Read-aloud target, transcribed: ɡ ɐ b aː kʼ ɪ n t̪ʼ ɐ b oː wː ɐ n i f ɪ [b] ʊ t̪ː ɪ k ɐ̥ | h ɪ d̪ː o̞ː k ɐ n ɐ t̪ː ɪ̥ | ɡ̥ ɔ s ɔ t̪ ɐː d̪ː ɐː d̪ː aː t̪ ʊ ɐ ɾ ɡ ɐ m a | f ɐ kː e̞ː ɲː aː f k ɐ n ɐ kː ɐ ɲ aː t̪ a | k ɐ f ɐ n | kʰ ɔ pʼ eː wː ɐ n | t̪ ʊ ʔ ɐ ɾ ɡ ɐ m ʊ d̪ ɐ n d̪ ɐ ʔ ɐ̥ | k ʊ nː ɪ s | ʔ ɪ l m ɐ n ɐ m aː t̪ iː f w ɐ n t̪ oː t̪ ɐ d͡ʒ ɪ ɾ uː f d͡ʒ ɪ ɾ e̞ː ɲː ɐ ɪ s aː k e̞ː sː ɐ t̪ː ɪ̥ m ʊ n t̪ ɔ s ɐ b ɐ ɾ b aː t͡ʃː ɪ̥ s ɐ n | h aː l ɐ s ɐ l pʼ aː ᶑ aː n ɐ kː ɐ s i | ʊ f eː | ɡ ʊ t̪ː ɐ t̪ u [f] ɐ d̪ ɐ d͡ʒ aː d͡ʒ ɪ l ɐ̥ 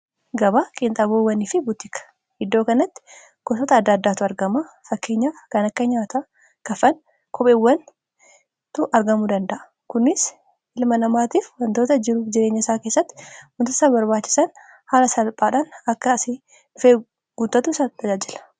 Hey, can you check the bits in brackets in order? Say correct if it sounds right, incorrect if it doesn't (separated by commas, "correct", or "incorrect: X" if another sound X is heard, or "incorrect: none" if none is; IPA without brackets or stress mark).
correct, incorrect: s